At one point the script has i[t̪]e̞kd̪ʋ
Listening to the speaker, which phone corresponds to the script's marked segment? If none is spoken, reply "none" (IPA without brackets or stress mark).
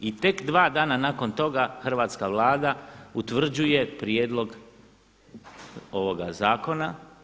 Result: t̪